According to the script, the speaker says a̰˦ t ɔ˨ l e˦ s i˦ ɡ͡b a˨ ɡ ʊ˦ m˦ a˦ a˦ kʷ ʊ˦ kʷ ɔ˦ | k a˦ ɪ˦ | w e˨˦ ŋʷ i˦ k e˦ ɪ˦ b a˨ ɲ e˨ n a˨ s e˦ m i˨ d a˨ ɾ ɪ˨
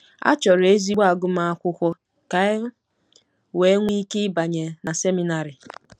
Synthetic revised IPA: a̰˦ t͡ʃ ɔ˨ ɾ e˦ z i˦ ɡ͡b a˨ ɡ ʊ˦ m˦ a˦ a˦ kʷ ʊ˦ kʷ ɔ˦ | k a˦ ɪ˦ | w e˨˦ ŋʷ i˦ k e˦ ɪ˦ b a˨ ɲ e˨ n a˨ s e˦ m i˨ n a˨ ɾ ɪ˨